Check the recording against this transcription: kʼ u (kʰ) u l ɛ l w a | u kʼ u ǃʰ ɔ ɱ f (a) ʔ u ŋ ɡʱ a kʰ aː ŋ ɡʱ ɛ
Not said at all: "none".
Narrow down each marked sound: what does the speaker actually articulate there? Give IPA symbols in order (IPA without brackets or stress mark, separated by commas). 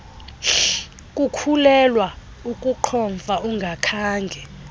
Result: kʰ, a